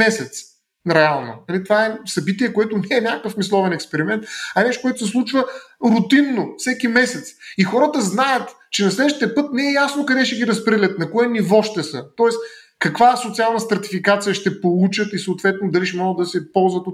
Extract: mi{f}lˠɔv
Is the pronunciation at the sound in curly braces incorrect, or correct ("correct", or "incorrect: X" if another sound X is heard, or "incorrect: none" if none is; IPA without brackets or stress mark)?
incorrect: s